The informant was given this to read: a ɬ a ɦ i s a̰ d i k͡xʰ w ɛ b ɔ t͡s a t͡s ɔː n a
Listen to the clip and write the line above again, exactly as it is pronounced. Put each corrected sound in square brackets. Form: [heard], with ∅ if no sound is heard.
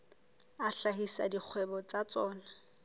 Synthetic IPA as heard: a ɬ a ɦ i s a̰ d i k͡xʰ w ɛ b ɔ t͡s a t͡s ɔː n a